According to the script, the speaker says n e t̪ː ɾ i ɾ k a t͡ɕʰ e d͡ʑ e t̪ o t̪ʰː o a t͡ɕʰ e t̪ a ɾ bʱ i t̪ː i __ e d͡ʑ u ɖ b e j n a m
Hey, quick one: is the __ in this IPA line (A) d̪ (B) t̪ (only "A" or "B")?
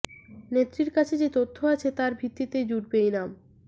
B